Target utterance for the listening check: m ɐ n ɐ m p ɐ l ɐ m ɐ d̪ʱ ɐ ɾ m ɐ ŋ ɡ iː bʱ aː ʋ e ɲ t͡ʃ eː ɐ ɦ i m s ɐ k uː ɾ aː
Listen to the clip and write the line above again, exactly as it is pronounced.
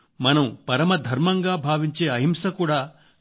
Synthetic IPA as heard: m ɐ n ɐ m p ɐ ɾ ɐ m ɐ d̪ʱ ɐ ɾ m ɐ ŋ ɡ aː bʱ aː ʋ i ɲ t͡ʃ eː ɐ ɦ i m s ɐ k uː ɽ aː